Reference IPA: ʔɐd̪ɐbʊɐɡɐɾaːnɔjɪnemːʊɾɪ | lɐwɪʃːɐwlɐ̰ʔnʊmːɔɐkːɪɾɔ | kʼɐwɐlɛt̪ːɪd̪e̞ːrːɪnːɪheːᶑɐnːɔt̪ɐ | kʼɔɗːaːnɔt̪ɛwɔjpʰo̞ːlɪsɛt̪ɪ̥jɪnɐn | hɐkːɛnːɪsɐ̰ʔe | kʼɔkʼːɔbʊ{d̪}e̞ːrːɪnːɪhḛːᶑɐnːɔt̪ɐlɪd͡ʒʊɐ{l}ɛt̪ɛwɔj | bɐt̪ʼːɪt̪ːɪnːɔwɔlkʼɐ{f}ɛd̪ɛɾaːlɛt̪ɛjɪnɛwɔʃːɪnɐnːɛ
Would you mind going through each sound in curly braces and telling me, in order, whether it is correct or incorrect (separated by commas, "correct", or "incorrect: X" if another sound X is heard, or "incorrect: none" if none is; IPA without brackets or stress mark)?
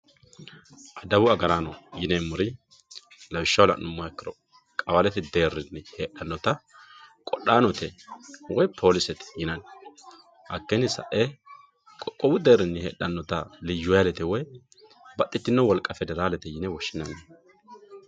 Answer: correct, correct, correct